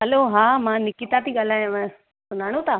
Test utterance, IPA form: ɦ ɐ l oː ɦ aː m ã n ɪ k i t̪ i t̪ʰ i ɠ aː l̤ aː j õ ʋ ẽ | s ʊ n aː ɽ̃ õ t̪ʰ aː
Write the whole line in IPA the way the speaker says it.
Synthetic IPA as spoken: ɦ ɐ l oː ɦ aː m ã n ɪ k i t̪ a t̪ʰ i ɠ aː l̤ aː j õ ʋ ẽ | s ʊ n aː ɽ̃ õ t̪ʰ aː